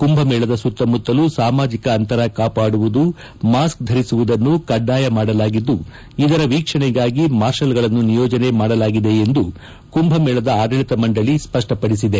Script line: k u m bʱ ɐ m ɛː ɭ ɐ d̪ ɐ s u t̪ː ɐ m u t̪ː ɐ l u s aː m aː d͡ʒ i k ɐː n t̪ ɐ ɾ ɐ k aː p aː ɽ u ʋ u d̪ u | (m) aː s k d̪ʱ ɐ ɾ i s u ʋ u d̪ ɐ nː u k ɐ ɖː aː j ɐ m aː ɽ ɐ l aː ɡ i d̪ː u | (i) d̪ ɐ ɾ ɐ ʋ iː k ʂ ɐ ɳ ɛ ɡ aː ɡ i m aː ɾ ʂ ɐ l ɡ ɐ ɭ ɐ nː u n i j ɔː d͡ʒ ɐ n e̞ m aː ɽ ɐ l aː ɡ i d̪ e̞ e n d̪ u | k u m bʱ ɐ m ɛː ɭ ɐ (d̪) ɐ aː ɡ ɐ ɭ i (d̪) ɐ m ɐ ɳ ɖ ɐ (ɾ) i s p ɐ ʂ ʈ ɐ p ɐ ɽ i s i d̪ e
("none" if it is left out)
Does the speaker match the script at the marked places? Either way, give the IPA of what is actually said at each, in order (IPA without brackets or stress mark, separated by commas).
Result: m, i, d̪, t̪, ɭ